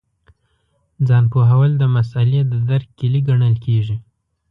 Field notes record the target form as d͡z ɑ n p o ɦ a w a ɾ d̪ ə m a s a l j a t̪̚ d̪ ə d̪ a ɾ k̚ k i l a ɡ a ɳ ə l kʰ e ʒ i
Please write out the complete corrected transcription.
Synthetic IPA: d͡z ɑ n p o ɦ a w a l d̪ ə m a s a l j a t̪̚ d̪ ə d̪ a ɾ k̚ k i l i ɡ a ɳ ə l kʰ e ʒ i

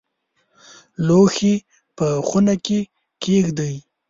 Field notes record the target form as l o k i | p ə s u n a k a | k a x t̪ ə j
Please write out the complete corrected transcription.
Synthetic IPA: l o x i | p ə x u n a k e | k e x d̪ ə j

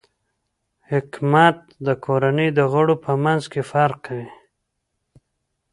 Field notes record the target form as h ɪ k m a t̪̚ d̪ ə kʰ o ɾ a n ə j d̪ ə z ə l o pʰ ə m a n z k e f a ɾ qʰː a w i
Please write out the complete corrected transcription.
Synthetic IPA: h ɪ k m a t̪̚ d̪ ə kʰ o ɾ a n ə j d̪ ə ɣ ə ɽ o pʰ ə m a n z k e f a ɾ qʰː a w i

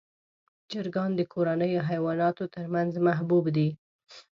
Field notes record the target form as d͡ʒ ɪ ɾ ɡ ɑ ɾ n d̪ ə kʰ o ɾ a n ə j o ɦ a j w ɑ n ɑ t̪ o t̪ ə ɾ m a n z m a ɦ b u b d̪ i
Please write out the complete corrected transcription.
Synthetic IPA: d͡ʒ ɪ ɾ ɡ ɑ n d̪ ə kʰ o ɾ a n ə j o ɦ a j w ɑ n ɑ t̪ o t̪ ə ɾ m a n z m a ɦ b u b d̪ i

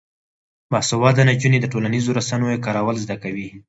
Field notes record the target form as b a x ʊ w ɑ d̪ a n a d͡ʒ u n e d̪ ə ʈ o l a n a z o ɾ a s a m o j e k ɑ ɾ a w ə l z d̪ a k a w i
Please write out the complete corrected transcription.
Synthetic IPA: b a s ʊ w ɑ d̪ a n a d͡ʒ u n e d̪ ə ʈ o l a n i z o ɾ a s a n o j e k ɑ ɾ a w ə l z d̪ a k a w i

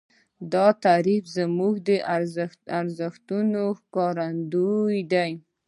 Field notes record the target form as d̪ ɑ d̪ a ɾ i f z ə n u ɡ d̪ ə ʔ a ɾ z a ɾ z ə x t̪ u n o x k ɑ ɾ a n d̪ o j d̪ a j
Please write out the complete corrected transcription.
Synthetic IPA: d̪ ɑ t̪ a ɾ i f z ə m u ɡ d̪ ə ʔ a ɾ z a ɾ z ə x t̪ u n o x k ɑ ɾ a n d̪ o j d̪ a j

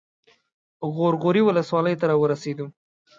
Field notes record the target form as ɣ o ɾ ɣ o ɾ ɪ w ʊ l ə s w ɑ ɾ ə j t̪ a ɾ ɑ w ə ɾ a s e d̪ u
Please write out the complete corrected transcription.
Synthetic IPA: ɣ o ɾ ɣ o ɾ i w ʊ l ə s w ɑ l ə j t̪ a ɾ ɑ w ə ɾ a s e d̪ u

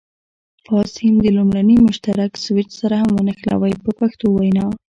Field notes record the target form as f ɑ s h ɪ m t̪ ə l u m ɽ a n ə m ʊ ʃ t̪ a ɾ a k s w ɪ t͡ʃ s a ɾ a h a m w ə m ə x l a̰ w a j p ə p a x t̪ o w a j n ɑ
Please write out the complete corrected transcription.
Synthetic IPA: f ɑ s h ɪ m d̪ ə l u m ɽ a n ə m ʊ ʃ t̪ a ɾ a k s w ɪ t͡ʃ s a ɾ a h a m w ə n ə x l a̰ w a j p ə p a x t̪ o w a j n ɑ

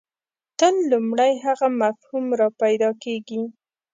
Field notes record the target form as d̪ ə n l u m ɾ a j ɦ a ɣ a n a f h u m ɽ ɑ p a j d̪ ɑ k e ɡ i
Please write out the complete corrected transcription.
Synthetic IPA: t̪ ə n l u m ɽ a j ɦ a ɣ a m a f h u m ɾ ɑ p a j d̪ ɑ k e ɡ i

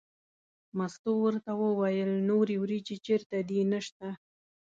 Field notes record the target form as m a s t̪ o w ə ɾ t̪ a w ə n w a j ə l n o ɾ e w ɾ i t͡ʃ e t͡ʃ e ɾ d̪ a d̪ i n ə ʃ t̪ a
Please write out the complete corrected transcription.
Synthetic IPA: m a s t̪ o w ə ɾ t̪ a w ə w a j ə l n o ɾ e w ɾ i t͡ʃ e t͡ʃ e ɾ t̪ a d̪ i n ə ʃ t̪ a

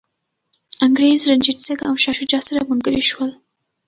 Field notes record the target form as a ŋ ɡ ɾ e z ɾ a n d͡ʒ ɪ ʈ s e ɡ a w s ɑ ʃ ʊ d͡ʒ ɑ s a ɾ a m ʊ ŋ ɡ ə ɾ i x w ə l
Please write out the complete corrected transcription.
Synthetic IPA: a ŋ ɡ ɾ e z ɾ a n d͡ʒ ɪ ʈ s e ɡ a w ʃ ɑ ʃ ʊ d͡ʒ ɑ s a ɾ a m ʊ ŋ ɡ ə ɾ i ʃ w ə l

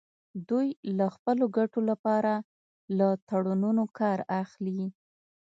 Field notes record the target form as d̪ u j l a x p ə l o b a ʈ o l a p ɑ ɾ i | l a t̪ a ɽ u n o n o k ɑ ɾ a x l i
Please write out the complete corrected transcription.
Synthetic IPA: d̪ u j l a x p ə l o ɡ a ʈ o l a p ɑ ɾ a | l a t̪ a ɽ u n u n o k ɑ ɾ a x l i

